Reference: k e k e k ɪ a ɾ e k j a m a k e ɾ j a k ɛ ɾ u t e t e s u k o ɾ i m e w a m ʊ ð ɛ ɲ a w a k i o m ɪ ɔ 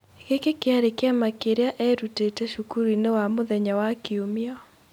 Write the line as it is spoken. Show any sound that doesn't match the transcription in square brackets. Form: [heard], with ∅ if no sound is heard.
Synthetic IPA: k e k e k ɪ a ɾ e k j a m a k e ɾ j a [ʔ] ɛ ɾ u t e t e [ʃ] u k [u] ɾ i [n] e w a m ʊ ð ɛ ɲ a w a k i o m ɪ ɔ

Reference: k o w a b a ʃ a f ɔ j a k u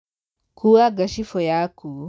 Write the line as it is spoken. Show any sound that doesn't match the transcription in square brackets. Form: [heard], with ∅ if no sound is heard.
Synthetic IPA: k [u] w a [ɡ] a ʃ [i] f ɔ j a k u

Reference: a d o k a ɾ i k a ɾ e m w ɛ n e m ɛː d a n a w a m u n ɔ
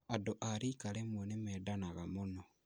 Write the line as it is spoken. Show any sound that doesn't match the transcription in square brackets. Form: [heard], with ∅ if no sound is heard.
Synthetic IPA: a d o [ʔ] a ɾ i k a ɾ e m w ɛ n e m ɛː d a n a [ɣ] a m [o] n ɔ

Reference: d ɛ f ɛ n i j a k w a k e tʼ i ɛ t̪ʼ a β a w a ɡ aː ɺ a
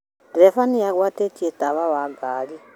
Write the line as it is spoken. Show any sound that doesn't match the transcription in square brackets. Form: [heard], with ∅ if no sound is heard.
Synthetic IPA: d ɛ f [a] n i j a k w a [t] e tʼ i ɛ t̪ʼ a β a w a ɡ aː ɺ [i]

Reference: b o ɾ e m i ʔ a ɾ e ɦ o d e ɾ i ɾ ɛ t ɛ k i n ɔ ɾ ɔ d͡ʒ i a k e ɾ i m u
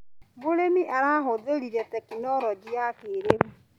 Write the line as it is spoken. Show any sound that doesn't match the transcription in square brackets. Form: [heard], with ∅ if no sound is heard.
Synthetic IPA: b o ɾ e m i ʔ a ɾ [a] ɦ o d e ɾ i ɾ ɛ t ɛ k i n ɔ ɾ ɔ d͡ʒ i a k e ɾ [e] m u

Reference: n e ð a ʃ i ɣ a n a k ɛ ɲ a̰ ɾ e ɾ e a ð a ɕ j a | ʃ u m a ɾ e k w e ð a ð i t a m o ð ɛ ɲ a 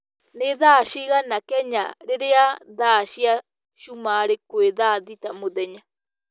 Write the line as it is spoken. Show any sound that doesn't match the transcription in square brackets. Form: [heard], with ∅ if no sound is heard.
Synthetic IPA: n e ð a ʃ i ɣ a n a k ɛ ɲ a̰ ɾ e ɾ e a ð a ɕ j a | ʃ u m a ɾ e k w e ð a ð i t a m o ð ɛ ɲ a

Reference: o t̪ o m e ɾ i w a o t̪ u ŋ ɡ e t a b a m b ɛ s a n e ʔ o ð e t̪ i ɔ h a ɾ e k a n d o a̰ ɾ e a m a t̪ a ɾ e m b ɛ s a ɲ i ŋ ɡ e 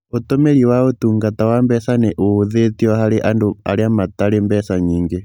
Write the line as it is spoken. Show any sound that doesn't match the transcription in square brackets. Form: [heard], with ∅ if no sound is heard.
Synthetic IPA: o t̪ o m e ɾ i w a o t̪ u ŋ ɡ [a] t a [w] a m b ɛ s a n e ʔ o ð e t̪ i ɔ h a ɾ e [ʔ] a n d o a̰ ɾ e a m a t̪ a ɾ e m b ɛ s a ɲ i ŋ ɡ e

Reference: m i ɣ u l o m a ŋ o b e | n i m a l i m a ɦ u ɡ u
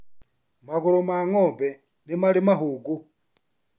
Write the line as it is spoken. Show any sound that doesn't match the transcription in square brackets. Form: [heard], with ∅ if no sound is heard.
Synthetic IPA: m [a] ɣ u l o m a ŋ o b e | n i m a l i m a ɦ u ɡ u

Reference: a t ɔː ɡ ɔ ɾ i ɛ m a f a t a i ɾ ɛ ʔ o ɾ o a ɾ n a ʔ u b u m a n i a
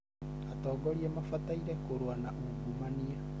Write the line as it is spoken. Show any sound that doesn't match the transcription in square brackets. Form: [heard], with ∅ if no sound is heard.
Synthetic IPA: a t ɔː ɡ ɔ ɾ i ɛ m a f a t a i ɾ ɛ [k] o ɾ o a [∅] n a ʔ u [ɡ] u m a n i a

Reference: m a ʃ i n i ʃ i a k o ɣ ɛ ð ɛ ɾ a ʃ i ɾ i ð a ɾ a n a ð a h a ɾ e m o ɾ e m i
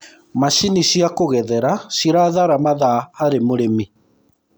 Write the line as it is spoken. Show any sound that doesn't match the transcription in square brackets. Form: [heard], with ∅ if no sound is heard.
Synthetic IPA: m a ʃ i n i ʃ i a k o ɣ ɛ ð ɛ ɾ a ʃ i ɾ [a] ð a ɾ a [m] a ð a h a ɾ e m o ɾ e m i

